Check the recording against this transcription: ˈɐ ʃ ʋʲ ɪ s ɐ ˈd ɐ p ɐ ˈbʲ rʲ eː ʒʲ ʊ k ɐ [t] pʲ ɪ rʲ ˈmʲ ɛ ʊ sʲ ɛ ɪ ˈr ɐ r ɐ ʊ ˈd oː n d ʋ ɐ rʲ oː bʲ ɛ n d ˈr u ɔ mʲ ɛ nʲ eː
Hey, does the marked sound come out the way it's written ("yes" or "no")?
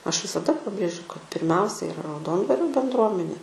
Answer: yes